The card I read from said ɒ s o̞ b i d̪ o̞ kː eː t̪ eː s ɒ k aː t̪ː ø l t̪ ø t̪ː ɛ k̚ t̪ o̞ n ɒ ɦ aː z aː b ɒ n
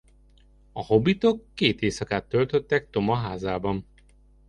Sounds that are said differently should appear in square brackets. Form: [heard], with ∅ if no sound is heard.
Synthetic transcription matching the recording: ɒ [h] o̞ b i [t̪] o̞ kː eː t̪ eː s ɒ k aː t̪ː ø l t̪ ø t̪ː ɛ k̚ t̪ o̞ [m] ɒ ɦ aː z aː b ɒ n